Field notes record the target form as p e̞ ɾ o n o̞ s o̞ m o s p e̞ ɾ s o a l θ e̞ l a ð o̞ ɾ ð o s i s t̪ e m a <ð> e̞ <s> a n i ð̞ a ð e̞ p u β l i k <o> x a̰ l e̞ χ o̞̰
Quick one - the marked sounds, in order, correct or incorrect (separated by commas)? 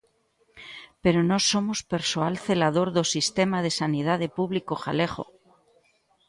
correct, correct, correct